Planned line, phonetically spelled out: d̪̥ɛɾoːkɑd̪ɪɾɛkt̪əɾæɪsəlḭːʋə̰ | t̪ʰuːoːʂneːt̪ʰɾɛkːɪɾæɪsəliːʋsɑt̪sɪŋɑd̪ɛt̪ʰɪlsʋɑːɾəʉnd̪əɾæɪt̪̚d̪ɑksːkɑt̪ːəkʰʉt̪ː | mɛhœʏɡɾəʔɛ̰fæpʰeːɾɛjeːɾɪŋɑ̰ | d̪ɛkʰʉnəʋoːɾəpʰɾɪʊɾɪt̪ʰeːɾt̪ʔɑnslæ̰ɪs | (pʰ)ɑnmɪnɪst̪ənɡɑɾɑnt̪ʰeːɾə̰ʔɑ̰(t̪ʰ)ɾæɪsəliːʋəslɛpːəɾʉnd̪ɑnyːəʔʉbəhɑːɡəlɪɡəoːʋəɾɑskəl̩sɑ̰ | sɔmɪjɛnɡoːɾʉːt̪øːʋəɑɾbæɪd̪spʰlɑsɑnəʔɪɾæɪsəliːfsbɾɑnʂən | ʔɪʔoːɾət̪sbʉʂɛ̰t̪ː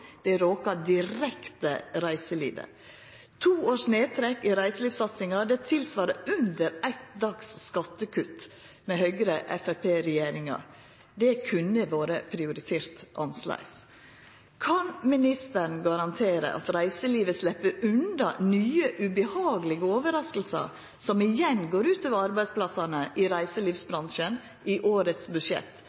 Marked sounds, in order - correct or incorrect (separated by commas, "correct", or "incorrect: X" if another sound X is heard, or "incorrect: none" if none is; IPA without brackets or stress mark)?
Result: incorrect: kʰ, incorrect: t̪